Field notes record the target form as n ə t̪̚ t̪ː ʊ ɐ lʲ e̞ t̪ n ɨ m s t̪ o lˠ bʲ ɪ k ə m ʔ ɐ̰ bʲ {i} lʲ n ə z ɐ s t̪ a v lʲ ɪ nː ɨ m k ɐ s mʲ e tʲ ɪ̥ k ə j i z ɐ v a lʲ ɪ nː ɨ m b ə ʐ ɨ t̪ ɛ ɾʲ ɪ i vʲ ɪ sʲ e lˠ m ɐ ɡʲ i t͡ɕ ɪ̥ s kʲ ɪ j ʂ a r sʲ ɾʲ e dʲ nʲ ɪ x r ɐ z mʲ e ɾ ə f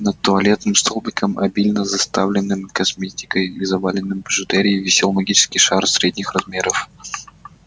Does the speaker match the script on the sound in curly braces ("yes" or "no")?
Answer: yes